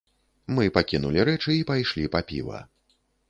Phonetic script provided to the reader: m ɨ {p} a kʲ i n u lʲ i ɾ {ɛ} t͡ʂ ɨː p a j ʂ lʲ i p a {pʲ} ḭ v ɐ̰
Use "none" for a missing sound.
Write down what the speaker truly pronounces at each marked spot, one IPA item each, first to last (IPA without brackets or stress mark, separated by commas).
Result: p, ɛ, pʲ